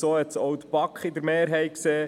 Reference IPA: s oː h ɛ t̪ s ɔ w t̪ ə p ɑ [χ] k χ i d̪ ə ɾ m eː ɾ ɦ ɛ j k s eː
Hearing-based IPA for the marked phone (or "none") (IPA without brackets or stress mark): none